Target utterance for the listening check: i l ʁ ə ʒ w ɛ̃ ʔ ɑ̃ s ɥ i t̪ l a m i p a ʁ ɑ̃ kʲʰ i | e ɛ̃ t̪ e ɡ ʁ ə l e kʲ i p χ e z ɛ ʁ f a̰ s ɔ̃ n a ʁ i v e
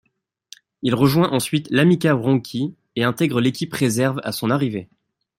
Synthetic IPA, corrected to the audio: i l ʁ ə ʒ w ɛ̃ ʔ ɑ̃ s ɥ i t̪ l a m i k a ʁ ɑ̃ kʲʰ i | e ɛ̃ t̪ ɛ ɡ ʁ ə l e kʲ i p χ e z ɛ ʁ v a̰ s ɔ̃ n a ʁ i v e